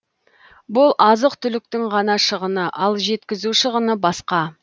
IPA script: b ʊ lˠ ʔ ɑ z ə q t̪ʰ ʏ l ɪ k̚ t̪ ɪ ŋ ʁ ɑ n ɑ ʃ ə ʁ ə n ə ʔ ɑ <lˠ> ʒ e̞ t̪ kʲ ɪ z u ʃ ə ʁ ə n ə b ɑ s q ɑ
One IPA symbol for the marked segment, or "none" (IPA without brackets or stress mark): lˠ